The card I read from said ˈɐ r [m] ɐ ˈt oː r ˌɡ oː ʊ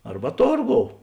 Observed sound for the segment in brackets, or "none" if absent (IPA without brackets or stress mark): b